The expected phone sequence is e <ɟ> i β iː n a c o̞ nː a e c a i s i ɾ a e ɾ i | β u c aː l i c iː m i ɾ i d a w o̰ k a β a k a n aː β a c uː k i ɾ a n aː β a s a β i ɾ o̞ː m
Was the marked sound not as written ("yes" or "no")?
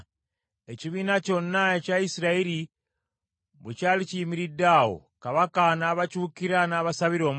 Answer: yes